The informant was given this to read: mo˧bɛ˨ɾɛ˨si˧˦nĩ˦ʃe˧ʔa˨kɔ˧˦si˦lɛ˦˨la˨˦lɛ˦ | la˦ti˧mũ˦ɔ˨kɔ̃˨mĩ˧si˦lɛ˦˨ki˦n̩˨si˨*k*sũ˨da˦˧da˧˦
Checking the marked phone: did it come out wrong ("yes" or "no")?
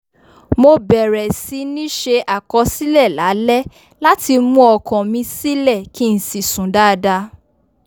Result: yes